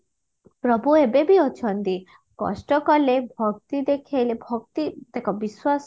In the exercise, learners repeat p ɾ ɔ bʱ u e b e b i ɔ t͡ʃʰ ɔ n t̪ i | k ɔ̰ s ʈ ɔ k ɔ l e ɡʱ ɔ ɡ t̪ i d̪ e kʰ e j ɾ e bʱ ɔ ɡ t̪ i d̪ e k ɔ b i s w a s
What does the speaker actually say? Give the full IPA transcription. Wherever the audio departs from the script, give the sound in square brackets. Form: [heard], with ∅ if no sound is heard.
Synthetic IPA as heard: p ɾ ɔ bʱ u e b e b i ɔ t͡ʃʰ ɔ n t̪ i | k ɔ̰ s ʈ ɔ k ɔ l e [bʱ] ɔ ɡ t̪ i d̪ e kʰ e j [l] e bʱ ɔ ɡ t̪ i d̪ e k ɔ b i s w a s